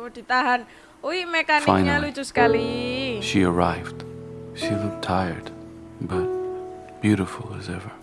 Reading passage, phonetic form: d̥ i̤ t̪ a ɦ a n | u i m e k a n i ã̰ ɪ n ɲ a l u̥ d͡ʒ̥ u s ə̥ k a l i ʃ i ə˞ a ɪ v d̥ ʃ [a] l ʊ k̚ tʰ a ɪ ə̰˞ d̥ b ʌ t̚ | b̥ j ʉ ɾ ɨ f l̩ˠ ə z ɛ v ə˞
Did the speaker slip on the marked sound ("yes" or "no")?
yes